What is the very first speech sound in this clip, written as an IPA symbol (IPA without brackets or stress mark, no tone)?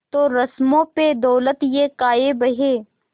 t̪